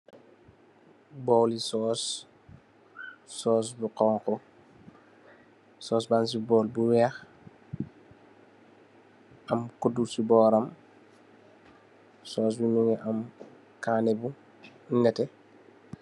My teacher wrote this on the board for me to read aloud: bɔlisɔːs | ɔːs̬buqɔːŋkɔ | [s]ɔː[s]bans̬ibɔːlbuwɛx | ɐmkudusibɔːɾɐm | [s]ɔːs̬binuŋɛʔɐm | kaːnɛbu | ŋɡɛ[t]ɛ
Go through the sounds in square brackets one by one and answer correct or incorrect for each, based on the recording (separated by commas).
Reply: correct, correct, correct, correct